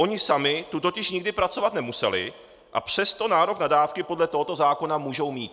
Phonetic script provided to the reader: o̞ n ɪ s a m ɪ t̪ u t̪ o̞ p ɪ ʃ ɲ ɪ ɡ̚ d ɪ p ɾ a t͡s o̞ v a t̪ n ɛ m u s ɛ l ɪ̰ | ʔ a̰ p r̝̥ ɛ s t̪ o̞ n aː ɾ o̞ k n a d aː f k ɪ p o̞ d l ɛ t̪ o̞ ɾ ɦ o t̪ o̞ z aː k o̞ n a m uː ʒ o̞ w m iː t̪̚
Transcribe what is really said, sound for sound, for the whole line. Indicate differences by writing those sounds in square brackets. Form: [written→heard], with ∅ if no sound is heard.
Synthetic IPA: o̞ [n→ɲ] ɪ s a m ɪ t̪ u t̪ o̞ [p→c] ɪ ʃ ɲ ɪ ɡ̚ d ɪ p ɾ a t͡s o̞ v a t̪ n ɛ m u s ɛ l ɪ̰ | ʔ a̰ p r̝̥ ɛ s t̪ o̞ n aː ɾ o̞ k n a d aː f k ɪ p o̞ d l ɛ t̪ o̞ [ɾ→∅] ɦ o t̪ o̞ z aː k o̞ n a m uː ʒ o̞ w m iː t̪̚